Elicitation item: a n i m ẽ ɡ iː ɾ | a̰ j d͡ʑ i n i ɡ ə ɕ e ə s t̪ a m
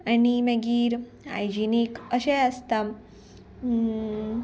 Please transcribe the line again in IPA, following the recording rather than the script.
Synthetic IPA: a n i m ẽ ɡ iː ɾ | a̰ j d͡ʑ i n i k ə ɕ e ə s t̪ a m